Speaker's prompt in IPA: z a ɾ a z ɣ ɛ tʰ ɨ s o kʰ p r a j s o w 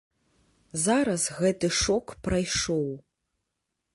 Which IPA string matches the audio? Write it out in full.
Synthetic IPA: z a ɾ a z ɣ ɛ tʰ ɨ ʂ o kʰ p r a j ʂ o w